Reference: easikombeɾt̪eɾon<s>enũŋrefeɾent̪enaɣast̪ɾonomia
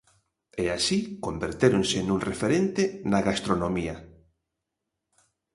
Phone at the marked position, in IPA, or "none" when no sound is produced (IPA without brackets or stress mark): s